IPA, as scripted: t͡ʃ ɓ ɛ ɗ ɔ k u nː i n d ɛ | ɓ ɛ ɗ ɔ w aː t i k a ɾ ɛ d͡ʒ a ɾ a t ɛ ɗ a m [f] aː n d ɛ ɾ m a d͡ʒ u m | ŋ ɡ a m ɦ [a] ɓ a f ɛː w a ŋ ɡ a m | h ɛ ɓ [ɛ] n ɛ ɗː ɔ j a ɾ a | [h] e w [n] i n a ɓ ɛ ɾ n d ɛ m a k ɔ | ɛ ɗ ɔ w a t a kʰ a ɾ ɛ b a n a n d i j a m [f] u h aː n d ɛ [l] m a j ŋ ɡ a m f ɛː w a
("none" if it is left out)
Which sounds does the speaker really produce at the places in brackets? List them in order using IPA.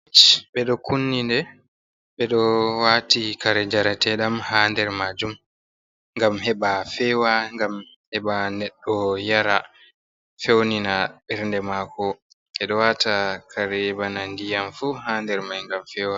h, ɛ, a, f, n, f, ɾ

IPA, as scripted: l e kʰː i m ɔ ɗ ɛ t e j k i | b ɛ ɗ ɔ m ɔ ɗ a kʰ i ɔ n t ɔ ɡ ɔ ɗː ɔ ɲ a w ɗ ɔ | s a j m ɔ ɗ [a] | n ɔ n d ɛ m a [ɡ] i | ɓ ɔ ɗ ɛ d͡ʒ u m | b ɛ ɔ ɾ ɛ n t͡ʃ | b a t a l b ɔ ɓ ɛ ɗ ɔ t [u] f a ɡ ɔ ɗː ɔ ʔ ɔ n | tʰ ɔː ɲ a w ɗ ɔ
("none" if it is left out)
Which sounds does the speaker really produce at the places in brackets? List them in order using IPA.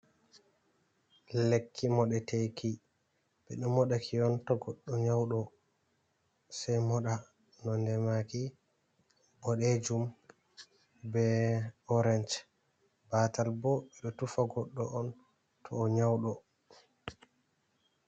a, k, u

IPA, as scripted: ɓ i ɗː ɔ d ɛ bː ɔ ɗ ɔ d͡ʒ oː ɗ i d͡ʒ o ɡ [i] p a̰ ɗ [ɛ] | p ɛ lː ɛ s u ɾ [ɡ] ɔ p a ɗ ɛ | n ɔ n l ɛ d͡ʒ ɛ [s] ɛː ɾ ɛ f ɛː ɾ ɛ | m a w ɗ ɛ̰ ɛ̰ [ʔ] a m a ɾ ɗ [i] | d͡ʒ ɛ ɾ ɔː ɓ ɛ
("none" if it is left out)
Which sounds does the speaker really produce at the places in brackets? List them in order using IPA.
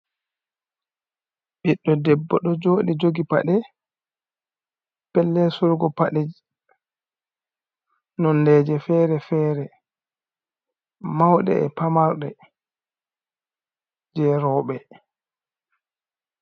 i, ɛ, ɡ, f, p, ɛ

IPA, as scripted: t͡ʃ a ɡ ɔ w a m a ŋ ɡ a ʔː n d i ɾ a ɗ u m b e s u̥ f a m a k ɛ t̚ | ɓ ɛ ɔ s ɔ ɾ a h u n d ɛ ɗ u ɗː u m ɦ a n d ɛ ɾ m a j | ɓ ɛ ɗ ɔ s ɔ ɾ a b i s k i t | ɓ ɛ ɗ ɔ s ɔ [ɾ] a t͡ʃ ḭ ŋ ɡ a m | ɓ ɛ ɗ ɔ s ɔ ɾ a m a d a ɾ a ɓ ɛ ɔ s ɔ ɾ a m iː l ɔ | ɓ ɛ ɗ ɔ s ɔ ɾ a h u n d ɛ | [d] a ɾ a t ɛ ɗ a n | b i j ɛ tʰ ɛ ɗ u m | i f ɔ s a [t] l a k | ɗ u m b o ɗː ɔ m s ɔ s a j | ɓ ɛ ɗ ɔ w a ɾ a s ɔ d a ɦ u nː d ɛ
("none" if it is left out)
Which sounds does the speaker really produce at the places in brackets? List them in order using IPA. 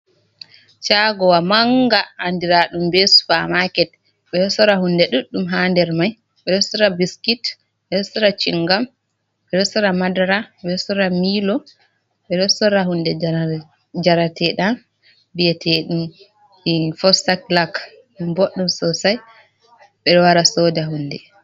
ɾ, d͡ʒ, k

